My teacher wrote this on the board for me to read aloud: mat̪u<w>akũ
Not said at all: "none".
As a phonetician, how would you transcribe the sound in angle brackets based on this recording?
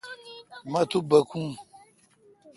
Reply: b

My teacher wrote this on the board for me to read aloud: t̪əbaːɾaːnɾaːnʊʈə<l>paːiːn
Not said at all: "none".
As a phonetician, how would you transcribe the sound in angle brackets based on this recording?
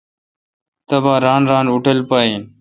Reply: l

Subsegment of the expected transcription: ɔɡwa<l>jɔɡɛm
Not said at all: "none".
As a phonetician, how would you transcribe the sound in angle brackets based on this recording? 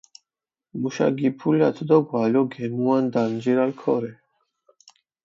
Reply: l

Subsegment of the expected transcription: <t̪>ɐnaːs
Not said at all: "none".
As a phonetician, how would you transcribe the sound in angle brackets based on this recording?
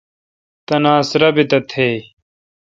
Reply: t̪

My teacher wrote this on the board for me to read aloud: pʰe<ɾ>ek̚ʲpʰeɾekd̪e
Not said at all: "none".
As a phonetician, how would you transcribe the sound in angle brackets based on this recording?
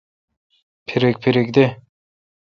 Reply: ɾ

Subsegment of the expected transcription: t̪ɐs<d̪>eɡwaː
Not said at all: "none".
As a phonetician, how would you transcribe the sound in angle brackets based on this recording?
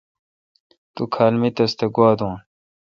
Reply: t̪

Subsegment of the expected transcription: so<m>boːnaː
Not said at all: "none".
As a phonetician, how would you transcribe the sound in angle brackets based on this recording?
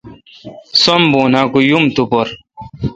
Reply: m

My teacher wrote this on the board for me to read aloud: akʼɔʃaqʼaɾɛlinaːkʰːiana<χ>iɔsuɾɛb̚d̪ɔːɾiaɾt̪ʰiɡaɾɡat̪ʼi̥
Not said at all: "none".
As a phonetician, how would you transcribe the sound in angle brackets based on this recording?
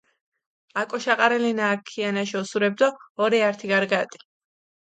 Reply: ʃ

